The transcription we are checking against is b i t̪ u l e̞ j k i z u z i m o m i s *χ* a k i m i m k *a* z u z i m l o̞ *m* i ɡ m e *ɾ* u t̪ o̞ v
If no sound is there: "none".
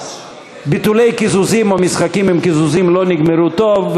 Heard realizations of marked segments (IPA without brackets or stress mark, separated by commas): χ, i, n, ɾ